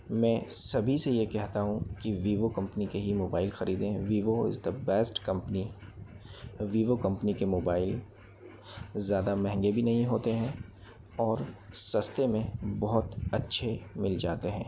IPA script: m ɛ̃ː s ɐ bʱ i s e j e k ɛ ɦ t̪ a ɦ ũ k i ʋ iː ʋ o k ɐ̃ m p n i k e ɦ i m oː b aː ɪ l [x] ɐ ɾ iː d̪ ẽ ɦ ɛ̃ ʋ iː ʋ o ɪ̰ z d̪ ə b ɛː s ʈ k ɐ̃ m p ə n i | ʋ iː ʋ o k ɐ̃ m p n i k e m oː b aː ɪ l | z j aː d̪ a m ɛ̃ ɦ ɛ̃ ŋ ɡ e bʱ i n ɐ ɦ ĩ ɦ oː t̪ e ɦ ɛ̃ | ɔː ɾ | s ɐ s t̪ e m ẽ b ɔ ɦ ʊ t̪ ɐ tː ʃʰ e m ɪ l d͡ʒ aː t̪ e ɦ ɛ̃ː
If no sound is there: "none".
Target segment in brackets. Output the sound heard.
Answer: x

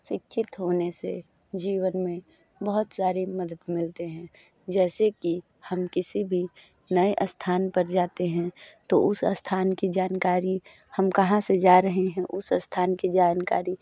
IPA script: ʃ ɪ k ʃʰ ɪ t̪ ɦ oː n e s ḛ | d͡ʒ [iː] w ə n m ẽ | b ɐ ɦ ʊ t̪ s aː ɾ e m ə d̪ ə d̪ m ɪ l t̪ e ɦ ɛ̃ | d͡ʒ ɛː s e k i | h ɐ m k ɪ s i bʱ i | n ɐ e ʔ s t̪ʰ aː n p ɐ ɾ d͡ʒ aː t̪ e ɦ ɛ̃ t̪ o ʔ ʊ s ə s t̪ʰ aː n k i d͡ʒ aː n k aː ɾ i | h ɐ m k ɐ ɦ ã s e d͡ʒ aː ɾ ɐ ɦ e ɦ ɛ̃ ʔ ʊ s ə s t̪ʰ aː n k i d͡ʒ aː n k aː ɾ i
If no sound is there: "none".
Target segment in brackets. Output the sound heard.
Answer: iː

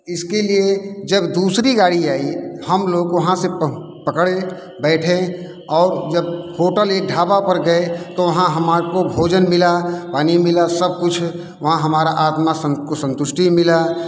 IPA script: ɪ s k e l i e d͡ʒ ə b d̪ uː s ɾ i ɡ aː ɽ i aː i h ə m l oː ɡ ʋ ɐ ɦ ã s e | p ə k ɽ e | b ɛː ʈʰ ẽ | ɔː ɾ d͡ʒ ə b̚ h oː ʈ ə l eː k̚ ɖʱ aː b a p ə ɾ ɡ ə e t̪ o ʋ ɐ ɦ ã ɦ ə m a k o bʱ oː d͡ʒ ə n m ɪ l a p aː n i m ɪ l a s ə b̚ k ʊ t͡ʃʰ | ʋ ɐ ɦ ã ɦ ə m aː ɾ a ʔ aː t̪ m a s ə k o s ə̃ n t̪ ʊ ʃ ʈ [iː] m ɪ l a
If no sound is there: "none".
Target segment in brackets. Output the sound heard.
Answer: i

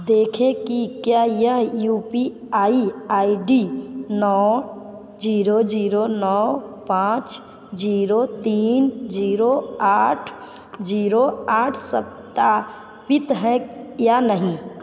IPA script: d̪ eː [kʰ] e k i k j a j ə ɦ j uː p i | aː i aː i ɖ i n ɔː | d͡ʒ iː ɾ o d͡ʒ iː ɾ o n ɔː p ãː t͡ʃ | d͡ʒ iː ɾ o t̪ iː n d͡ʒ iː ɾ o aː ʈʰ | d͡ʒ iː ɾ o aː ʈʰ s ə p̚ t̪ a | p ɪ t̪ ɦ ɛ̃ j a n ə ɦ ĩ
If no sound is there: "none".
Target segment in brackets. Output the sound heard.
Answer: kʰ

